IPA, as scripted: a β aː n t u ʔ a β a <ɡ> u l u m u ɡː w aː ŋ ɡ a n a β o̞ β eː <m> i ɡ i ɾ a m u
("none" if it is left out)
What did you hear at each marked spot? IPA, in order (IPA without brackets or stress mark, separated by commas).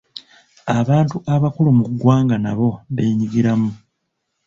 k, ɲ